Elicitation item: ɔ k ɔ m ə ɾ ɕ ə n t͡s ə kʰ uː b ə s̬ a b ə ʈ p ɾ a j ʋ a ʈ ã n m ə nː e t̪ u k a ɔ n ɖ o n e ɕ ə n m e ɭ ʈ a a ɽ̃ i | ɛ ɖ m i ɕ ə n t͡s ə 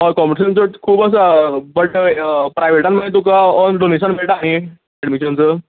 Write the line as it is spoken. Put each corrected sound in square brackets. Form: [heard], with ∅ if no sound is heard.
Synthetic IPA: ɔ k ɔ m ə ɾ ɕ ə n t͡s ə kʰ uː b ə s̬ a b ə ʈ p ɾ a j ʋ [e] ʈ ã n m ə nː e t̪ u k a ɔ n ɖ o n e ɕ ə n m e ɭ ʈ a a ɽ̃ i | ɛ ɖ m i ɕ ə n t͡s ə